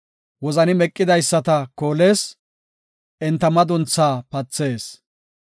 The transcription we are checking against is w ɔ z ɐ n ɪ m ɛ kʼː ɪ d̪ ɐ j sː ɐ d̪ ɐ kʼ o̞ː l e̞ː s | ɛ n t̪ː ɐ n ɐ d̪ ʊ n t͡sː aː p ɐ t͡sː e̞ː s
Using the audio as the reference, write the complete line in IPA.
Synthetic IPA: w ɔ z ɐ n ɪ m ɛ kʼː ɪ d̪ ɐ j sː ɐ t̪ ɐ k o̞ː l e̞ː s | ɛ n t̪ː ɐ m ɐ d̪ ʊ n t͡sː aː p ɐ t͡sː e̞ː s